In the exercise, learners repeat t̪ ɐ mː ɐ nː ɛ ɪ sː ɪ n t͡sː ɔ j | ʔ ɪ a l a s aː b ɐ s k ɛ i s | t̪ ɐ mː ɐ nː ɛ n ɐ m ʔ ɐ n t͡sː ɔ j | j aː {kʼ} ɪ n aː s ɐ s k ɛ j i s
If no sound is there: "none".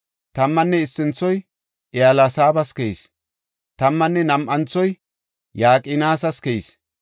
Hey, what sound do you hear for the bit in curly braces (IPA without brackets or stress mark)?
kʼ